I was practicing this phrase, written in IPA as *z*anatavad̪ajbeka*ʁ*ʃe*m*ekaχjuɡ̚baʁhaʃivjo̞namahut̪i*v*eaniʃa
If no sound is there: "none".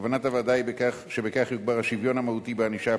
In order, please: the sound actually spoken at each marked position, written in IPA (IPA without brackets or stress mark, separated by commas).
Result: v, χ, b, b